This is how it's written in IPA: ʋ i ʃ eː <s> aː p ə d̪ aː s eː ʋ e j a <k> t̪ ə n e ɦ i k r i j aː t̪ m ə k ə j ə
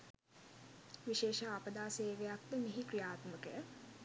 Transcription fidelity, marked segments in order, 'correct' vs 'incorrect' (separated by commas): incorrect, correct